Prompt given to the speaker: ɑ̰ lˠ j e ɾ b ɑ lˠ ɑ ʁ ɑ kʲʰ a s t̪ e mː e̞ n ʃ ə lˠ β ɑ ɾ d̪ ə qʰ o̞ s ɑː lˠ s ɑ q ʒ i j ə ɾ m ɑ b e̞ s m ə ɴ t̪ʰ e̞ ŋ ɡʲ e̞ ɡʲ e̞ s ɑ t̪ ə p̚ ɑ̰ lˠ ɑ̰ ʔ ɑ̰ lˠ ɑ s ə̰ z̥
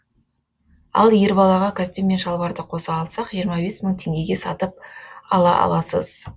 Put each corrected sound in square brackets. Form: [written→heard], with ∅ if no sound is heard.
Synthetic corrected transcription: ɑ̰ lˠ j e ɾ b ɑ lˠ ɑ ʁ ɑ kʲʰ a s t̪ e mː e̞ n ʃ [ə→ɑ] lˠ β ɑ ɾ d̪ ə qʰ o̞ s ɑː lˠ s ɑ q ʒ i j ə ɾ m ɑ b e̞ s m ə ɴ t̪ʰ e̞ ŋ ɡʲ e̞ ɡʲ e̞ s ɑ t̪ ə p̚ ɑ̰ lˠ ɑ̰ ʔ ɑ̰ lˠ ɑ s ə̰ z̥